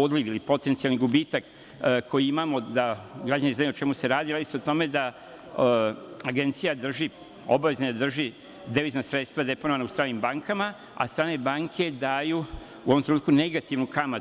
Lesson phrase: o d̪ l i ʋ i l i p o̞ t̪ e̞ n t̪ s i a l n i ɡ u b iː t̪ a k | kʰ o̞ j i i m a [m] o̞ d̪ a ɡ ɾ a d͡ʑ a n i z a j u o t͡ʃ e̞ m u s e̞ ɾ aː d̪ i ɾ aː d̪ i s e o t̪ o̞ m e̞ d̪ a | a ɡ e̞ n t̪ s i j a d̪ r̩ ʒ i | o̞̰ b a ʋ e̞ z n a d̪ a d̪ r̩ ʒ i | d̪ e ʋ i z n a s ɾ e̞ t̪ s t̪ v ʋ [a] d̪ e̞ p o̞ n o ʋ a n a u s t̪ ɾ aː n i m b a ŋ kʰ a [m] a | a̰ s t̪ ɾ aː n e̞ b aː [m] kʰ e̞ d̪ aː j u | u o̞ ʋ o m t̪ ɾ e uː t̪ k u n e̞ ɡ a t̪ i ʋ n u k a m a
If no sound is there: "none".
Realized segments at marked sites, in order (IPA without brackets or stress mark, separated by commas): m, a, m, ŋ